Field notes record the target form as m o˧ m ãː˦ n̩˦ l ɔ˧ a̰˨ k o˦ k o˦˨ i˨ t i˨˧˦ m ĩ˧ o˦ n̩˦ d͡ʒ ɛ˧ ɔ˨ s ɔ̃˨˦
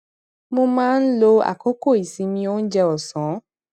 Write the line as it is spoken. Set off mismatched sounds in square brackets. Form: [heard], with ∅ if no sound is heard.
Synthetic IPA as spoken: m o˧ m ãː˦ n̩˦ l [o˧] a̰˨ k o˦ k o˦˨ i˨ [s] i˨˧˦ m ĩ˧ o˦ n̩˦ d͡ʒ ɛ˧ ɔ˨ s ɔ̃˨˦

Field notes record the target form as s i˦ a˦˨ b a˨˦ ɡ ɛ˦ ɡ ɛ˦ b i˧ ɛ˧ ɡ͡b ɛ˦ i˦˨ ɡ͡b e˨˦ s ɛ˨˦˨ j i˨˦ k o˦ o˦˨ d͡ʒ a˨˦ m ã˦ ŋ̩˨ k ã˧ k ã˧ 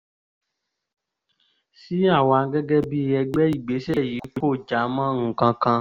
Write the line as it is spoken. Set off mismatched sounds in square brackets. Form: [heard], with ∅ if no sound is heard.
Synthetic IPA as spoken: s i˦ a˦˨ [w] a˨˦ ɡ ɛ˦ ɡ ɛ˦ b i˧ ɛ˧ ɡ͡b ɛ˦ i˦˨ ɡ͡b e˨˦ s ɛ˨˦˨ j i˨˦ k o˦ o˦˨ d͡ʒ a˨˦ m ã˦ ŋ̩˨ k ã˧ k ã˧

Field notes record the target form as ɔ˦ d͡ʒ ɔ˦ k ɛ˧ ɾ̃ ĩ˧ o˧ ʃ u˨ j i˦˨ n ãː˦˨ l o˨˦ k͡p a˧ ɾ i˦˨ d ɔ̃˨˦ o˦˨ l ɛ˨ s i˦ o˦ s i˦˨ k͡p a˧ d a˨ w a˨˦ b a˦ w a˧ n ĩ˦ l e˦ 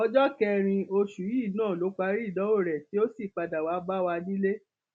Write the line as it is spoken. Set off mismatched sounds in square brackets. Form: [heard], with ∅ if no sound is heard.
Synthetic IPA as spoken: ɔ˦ d͡ʒ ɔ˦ k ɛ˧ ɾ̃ ĩ˧ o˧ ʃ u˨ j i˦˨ n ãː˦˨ l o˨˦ k͡p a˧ ɾ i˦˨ d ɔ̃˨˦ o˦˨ [ɾ] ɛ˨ [t] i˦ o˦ s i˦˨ k͡p a˧ d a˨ w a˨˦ b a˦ w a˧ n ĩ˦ l e˦

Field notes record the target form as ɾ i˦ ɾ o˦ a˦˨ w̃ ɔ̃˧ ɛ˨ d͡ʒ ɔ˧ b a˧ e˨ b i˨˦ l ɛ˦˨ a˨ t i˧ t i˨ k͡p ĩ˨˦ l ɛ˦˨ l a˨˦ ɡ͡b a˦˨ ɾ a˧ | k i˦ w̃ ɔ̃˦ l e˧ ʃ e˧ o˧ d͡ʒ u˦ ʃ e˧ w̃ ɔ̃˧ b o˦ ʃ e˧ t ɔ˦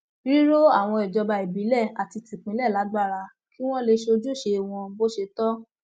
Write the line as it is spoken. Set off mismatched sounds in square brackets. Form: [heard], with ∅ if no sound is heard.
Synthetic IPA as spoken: ɾ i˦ ɾ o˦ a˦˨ w̃ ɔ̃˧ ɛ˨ d͡ʒ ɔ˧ b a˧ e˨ b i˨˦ l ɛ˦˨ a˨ t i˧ t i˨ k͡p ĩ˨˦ l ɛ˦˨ l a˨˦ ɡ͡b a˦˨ ɾ a˧ | k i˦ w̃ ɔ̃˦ l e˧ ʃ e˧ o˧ d͡ʒ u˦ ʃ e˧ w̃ ɔ̃˧ b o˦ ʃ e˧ t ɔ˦

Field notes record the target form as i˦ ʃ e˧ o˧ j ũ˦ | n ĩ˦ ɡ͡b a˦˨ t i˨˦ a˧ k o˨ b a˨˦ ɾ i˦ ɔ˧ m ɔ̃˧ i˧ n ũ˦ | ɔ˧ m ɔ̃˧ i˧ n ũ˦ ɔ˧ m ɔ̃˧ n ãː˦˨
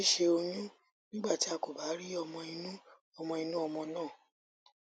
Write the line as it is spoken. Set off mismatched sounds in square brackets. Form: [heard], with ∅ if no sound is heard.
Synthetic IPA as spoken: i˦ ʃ e˧ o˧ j ũ˦ | n ĩ˦ ɡ͡b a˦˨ t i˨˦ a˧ k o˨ b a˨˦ ɾ i˦ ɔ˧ m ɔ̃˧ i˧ n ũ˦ | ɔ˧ m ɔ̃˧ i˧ n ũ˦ ɔ˧ m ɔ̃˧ n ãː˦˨

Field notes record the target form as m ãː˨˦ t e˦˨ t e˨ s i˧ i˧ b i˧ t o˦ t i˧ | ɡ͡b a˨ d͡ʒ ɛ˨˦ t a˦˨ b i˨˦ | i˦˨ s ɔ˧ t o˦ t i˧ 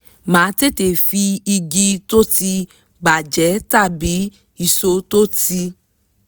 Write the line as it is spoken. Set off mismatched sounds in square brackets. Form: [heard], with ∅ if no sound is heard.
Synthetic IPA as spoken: m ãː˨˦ t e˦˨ t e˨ [f] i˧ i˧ [ɡ] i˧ t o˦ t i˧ | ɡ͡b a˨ d͡ʒ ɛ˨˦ t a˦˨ b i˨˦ | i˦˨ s [o˧] t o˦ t i˧

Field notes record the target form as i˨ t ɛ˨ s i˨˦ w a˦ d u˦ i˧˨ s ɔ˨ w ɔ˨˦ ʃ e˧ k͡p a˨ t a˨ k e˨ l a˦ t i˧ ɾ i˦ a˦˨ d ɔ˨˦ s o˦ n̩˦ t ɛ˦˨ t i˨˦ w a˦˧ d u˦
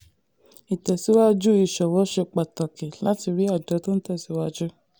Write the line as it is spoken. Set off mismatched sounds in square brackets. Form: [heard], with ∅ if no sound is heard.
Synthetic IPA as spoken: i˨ t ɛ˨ s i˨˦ w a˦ [d͡ʒ] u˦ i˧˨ [ʃ] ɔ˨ w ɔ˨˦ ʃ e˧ k͡p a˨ t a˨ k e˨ l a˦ t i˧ ɾ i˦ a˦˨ d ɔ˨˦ [t] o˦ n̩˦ t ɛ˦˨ [s] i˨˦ w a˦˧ [d͡ʒ] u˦

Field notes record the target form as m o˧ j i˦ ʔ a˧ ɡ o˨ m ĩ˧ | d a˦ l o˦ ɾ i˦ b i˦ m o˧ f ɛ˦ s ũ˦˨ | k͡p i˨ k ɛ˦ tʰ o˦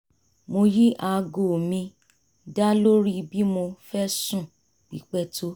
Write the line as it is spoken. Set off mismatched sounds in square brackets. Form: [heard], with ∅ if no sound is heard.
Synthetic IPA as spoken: m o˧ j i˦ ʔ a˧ ɡ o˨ m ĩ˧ | d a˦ l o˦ ɾ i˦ b i˦ m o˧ f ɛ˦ s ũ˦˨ | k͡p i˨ [k͡p] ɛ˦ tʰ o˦

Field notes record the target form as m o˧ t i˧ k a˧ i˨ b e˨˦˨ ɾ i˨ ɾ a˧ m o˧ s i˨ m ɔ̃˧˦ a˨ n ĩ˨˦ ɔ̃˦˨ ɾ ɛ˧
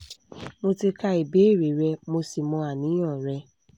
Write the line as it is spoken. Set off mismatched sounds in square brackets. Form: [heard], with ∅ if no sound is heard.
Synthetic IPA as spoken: m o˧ t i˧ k a˧ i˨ b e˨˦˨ ɾ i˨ ɾ [ɛ˧] m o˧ s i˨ m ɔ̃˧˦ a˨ n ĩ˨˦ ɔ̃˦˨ ɾ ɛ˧

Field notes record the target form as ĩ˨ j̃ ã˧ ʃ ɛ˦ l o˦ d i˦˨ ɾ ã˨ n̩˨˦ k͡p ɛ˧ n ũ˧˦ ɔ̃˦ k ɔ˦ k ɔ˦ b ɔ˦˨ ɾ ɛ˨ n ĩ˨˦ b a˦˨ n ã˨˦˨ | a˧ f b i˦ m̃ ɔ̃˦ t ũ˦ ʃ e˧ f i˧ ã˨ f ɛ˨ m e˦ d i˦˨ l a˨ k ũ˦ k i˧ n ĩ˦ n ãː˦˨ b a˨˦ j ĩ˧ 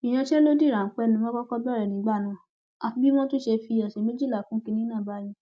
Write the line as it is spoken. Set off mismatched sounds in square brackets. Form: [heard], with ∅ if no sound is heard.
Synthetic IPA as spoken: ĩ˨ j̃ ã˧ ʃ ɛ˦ l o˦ d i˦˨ ɾ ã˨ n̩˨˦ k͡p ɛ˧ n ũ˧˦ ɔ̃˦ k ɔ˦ k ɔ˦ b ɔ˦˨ ɾ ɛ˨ n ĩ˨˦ [ɡ͡b] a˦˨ n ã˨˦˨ | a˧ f b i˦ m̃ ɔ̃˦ t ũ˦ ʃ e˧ f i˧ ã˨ [ʃ] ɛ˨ m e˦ [d͡ʒ] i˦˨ l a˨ k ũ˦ k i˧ n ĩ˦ n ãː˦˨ b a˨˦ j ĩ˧

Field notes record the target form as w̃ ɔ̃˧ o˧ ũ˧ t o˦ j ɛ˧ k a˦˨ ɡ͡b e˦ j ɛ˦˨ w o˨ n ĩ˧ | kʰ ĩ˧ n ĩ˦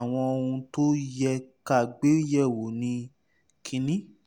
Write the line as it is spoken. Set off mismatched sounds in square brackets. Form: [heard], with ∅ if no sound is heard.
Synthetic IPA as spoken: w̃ ɔ̃˧ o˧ ũ˧ t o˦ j ɛ˧ k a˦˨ ɡ͡b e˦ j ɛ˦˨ w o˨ n ĩ˧ | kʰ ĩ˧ n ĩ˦

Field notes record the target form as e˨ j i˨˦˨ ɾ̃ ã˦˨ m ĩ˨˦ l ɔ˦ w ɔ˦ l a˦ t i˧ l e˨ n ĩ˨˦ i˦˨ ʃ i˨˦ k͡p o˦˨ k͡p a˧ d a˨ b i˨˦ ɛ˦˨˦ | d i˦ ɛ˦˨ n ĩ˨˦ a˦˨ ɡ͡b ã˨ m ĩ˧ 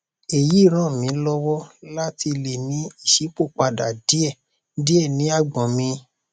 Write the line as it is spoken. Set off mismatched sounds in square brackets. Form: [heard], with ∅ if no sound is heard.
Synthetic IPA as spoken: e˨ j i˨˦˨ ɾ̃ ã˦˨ m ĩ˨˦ l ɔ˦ w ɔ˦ l a˦ t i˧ l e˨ n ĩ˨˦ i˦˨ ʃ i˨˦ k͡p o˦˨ k͡p a˧ d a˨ [d] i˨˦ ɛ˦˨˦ | d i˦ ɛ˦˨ n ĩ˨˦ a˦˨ ɡ͡b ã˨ m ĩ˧

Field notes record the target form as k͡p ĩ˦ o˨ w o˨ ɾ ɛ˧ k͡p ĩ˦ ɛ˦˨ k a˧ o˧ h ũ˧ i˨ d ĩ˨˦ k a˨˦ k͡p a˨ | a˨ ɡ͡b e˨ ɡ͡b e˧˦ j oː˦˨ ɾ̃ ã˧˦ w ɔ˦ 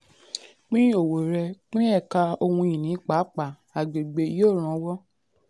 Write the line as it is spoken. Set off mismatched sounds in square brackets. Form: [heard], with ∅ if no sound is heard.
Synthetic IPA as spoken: k͡p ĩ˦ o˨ w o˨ ɾ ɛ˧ k͡p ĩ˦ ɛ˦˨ k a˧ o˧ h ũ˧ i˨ [n] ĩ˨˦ [k͡p] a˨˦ k͡p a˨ | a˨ ɡ͡b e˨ ɡ͡b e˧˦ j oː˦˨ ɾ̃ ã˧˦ w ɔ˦

